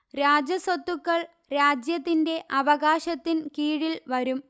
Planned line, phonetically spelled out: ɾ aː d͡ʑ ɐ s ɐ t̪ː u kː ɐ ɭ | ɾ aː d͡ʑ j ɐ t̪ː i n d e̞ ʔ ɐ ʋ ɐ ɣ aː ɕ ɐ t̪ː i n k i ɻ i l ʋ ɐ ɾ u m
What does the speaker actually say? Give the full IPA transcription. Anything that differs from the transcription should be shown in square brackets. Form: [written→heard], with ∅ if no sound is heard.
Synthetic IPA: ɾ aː d͡ʑ ɐ s ɐ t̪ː u kː ɐ ɭ | ɾ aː d͡ʑ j ɐ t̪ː i n d e̞ ʔ ɐ ʋ ɐ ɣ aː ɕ ɐ t̪ː i n k [i→iː] ɻ i l ʋ ɐ ɾ u m